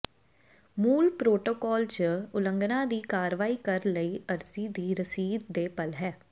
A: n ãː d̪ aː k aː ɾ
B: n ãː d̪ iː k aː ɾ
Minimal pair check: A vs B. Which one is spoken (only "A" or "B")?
B